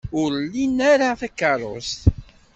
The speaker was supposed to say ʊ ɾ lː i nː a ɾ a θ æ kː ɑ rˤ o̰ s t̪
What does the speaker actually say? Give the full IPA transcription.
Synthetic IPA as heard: ʊ ɾ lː i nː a ɾ a θ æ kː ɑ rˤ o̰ s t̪